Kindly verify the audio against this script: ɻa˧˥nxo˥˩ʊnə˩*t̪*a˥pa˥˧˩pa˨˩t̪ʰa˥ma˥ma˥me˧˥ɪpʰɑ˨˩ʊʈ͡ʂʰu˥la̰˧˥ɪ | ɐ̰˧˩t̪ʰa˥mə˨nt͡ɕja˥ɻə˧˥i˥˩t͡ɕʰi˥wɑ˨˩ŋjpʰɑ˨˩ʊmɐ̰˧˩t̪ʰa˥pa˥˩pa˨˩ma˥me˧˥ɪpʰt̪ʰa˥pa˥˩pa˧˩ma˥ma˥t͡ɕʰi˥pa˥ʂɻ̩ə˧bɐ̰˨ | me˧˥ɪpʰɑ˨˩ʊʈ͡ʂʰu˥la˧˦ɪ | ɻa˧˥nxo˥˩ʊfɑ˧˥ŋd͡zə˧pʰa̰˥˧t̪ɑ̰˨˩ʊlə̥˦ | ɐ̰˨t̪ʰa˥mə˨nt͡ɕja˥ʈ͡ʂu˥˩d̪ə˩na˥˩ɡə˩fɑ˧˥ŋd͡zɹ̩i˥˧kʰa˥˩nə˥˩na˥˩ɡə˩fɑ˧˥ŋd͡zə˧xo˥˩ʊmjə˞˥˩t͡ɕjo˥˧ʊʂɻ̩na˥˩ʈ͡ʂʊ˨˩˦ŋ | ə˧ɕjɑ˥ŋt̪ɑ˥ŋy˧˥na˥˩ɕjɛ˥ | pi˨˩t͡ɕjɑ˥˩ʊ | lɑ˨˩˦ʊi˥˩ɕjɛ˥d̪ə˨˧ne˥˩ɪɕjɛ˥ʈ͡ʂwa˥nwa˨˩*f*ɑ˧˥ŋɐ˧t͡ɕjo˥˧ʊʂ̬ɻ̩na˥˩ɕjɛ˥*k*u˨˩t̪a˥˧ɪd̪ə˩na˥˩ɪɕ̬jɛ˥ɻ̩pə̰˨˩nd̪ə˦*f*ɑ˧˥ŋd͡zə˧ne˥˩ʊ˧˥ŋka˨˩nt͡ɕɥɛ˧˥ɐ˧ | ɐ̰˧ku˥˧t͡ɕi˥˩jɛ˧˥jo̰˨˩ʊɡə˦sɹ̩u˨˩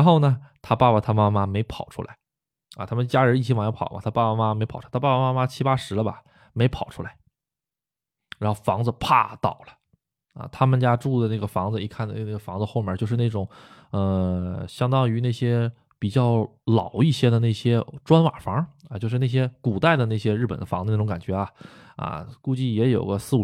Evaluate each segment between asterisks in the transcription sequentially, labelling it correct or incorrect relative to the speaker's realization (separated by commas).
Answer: incorrect, correct, correct, correct